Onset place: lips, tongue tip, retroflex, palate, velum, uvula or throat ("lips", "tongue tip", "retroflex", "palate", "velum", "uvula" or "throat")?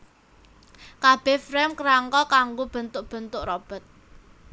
velum